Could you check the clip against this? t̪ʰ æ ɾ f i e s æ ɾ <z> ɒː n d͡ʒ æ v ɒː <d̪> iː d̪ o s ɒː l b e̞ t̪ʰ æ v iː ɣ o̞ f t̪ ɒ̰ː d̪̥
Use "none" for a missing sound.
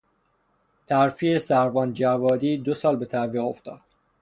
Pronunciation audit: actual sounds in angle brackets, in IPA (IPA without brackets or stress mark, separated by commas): v, d̪